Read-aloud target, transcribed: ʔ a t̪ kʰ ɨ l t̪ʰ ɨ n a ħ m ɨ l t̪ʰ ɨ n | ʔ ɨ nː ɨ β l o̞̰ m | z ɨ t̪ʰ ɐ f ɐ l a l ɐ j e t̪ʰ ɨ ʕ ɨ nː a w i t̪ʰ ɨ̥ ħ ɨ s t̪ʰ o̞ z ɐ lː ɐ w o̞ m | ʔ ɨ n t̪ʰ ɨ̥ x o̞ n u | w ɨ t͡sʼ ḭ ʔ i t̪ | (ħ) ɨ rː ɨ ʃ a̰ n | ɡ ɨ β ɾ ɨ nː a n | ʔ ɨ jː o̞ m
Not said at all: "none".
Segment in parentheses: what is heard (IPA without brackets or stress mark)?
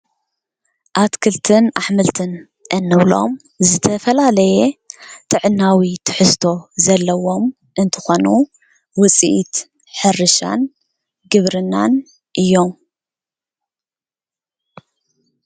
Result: ħ